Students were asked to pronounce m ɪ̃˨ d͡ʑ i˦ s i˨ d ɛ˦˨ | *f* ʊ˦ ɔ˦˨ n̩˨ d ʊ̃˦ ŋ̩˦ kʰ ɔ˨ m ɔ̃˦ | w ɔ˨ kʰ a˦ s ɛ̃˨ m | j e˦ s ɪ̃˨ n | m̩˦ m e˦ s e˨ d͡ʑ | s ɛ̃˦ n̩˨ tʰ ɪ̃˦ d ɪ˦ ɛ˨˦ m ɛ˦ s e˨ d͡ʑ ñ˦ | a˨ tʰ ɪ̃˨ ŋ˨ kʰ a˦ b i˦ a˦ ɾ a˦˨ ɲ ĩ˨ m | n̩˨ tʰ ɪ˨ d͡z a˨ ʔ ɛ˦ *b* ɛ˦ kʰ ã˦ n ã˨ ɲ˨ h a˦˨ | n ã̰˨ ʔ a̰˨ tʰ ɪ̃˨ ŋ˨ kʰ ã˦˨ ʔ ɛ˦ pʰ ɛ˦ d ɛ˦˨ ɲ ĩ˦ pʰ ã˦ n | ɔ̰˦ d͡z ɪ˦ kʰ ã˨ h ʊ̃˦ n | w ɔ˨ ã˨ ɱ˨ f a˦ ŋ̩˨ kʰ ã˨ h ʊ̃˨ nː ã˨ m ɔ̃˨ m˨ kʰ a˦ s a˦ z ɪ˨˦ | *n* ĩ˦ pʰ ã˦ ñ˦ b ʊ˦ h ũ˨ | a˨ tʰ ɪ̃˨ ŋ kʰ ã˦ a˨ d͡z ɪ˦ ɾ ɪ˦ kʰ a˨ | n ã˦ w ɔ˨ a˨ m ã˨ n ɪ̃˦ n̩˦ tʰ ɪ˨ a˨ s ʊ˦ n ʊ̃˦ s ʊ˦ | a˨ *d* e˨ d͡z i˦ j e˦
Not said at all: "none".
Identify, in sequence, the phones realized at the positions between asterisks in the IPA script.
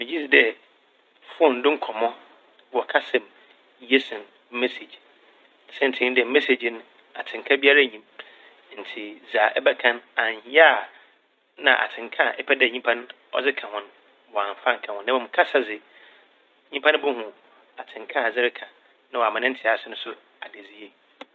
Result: f, b, ɲ, d

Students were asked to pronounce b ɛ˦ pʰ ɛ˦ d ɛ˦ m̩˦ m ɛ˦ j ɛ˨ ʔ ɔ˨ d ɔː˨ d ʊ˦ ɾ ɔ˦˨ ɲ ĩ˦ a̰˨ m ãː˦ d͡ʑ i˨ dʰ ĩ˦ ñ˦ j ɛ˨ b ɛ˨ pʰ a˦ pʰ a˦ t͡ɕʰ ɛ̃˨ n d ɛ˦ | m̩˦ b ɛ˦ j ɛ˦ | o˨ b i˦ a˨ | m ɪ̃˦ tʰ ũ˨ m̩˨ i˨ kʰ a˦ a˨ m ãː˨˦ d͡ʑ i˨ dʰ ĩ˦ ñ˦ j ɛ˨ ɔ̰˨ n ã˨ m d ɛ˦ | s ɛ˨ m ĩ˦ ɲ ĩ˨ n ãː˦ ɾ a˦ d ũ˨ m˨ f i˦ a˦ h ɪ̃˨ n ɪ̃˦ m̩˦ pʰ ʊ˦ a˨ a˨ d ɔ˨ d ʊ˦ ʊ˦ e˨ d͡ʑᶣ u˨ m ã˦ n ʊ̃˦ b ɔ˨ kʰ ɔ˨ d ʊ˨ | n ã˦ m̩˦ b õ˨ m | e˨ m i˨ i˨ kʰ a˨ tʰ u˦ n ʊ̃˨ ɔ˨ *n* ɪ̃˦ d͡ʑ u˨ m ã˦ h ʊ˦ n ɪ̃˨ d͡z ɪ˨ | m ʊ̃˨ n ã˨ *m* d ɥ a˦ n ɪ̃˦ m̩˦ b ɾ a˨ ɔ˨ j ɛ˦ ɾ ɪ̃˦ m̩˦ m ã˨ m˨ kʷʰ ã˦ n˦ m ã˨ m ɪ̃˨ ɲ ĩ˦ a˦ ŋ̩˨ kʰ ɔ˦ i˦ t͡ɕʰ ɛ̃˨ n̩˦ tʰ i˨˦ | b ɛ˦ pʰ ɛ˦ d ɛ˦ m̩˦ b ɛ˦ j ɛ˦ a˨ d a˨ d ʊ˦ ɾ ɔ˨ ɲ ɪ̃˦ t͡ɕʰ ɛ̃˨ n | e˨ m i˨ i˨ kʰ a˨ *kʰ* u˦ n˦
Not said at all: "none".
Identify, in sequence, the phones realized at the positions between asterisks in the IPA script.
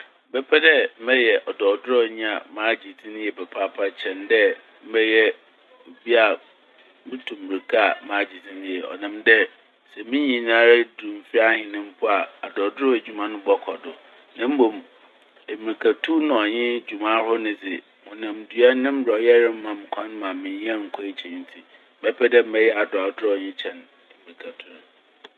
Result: ɲ, m, tʰ

